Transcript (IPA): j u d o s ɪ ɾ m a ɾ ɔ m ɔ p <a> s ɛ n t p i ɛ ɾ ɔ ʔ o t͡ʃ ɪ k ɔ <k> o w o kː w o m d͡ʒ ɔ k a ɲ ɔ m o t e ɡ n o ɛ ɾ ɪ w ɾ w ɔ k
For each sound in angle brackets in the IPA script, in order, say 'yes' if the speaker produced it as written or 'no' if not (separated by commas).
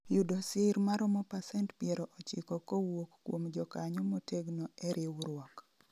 yes, yes